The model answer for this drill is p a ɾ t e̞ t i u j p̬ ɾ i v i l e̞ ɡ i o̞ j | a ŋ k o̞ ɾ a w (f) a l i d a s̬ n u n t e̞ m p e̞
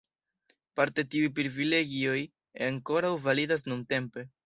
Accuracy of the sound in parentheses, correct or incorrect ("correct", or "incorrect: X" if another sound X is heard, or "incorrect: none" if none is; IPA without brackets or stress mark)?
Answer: incorrect: v